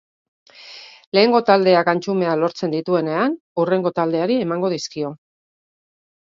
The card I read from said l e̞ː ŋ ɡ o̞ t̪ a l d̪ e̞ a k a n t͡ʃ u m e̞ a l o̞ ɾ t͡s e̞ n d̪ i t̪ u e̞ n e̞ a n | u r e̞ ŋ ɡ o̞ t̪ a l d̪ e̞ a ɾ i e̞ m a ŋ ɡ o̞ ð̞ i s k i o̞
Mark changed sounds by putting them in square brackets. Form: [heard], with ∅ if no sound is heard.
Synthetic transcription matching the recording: l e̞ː ŋ ɡ o̞ t̪ a l d̪ e̞ a k a n t͡ʃ u m e̞ a l o̞ ɾ t͡s e̞ n d̪ i t̪ u e̞ n e̞ a n | u r e̞ ŋ ɡ o̞ t̪ a l d̪ e̞ a ɾ i e̞ m a ŋ ɡ o̞ ð̞ i s k i o̞